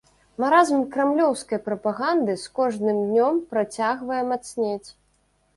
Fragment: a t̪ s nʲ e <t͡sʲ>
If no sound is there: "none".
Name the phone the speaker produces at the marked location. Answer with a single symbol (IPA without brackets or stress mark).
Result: t͡sʲ